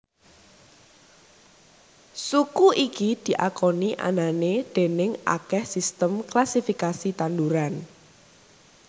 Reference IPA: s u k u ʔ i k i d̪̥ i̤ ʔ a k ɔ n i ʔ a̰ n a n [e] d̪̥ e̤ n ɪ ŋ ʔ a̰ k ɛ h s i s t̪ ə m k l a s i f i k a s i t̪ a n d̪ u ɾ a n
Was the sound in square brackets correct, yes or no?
yes